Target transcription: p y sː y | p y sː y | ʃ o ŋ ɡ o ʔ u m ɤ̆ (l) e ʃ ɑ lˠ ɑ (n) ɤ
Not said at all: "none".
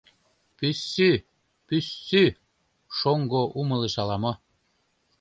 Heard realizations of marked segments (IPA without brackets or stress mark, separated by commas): l, m